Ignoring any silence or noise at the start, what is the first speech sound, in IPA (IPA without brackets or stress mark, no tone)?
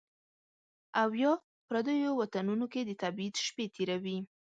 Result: a